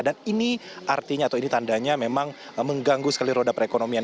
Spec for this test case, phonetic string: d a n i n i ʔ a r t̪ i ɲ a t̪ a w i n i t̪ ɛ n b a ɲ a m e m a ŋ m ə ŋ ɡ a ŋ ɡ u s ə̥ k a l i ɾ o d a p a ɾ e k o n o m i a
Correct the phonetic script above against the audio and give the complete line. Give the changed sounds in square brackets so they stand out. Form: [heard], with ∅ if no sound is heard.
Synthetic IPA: d a n i n i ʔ a r t̪ i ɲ a t̪ a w i n i t̪ [a] n [d] a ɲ a m e m a ŋ m ə ŋ ɡ a ŋ ɡ u s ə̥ k a l i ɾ o d a p [ə] ɾ e k o n o m i a